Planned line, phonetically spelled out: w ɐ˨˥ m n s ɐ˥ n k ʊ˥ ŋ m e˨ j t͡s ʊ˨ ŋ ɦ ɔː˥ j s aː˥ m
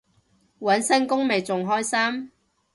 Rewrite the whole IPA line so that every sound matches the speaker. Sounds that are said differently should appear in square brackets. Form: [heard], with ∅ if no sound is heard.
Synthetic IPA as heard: w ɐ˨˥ [∅] n s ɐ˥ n k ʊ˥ ŋ m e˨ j t͡s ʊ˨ ŋ ɦ ɔː˥ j s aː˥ m